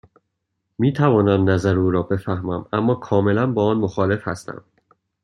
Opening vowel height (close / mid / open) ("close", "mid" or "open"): close